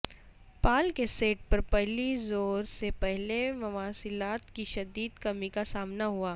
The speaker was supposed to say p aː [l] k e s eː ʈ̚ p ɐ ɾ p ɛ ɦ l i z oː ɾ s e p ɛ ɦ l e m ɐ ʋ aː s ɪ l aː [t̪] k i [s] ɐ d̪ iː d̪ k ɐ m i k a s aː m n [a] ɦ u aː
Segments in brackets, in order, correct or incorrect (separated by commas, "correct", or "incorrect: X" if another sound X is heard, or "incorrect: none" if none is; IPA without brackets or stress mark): correct, correct, incorrect: ʃ, correct